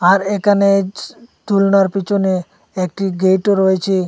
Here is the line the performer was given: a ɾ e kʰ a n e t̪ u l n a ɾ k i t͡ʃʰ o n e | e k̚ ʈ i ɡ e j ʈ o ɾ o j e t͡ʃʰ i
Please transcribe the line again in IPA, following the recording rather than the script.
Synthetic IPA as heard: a ɾ e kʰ a n e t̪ u l n a ɾ p i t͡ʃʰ o n e | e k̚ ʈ i ɡ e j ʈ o ɾ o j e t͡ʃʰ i